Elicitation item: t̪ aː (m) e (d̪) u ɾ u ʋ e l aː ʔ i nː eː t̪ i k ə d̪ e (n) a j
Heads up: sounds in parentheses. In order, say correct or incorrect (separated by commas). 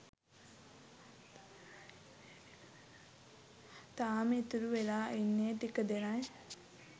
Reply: correct, incorrect, correct